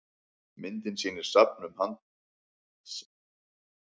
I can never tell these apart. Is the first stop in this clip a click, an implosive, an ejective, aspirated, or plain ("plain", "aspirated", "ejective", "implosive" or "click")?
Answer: plain